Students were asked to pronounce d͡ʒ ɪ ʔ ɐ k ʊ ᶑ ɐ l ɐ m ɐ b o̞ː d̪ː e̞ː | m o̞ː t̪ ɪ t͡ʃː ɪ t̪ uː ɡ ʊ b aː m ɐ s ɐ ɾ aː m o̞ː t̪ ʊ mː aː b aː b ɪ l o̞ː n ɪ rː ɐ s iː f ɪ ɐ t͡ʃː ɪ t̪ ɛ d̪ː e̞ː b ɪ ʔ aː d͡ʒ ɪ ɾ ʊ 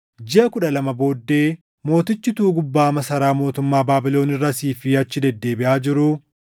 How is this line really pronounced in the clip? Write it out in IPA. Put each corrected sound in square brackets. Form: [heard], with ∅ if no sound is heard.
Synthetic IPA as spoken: d͡ʒ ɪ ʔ ɐ k ʊ ᶑ ɐ l ɐ m ɐ b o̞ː d̪ː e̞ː | m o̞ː t̪ ɪ t͡ʃː ɪ t̪ uː ɡ ʊ [bː] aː m ɐ s ɐ ɾ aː m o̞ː t̪ ʊ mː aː b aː b ɪ l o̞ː n ɪ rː ɐ s iː f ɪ ɐ t͡ʃː ɪ [d̪] ɛ d̪ː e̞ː b ɪ ʔ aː d͡ʒ ɪ ɾ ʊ